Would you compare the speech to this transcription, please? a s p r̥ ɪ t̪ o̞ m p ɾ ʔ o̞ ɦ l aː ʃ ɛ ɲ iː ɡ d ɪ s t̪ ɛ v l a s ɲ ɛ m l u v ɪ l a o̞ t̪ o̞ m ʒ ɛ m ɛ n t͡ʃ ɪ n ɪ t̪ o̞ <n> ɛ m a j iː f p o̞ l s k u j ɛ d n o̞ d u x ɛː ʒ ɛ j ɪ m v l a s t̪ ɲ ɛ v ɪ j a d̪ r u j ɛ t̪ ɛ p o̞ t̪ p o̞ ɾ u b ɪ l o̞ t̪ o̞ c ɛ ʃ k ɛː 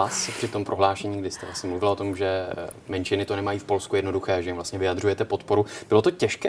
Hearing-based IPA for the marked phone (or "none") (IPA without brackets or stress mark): n